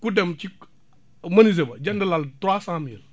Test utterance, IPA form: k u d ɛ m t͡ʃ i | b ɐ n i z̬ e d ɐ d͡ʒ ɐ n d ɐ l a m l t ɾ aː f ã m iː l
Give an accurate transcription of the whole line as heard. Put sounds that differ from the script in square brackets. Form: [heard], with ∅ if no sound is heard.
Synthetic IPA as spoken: k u d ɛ m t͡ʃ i | [m] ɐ n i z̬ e [b] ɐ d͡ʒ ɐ n d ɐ l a [∅] l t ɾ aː [s] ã m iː l